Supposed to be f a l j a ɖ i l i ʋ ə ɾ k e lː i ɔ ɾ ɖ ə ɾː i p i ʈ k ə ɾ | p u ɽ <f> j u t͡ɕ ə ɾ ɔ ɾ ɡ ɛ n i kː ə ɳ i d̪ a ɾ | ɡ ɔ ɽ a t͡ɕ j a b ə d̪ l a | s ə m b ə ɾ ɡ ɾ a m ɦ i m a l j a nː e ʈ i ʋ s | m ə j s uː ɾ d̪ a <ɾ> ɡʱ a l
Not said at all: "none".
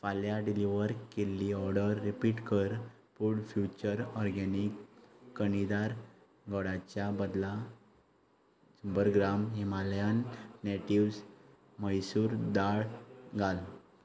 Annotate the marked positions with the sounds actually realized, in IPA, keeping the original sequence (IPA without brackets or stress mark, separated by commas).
f, ɭ